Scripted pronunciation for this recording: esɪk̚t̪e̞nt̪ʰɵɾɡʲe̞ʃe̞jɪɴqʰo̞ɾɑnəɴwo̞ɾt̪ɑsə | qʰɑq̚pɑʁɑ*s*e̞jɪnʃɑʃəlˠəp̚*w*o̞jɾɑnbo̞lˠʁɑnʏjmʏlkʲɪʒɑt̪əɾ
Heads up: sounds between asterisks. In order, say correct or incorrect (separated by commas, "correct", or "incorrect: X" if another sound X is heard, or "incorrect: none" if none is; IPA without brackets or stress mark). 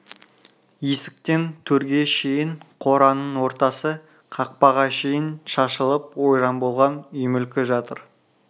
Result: incorrect: ʃ, correct